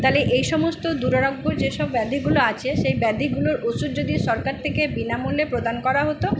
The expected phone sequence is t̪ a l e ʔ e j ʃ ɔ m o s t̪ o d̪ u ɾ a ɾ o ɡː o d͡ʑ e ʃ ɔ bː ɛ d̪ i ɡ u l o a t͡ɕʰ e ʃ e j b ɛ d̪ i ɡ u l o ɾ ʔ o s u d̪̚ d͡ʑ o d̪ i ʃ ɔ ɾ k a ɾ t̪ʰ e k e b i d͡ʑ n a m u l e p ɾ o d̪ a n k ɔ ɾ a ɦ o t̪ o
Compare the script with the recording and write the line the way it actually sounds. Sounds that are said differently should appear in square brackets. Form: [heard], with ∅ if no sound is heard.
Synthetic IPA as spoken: t̪ a l e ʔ e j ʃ ɔ m o s t̪ o d̪ u ɾ a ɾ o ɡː o d͡ʑ e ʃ ɔ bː ɛ d̪ i ɡ u l o a t͡ɕʰ e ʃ e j b ɛ d̪ i ɡ u l o ɾ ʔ o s u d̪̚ d͡ʑ o d̪ i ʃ ɔ ɾ k a ɾ t̪ʰ e k e b i [∅] n a m u l e p ɾ o d̪ a n k ɔ ɾ a ɦ o t̪ o